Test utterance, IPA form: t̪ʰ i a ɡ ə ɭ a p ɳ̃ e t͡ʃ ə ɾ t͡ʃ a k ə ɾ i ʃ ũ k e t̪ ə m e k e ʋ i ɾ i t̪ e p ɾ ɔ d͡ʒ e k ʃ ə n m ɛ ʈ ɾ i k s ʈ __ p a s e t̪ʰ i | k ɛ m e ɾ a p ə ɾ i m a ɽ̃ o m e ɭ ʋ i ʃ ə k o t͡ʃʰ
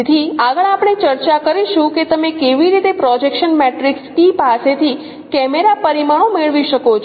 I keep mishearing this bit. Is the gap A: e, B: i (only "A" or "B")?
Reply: B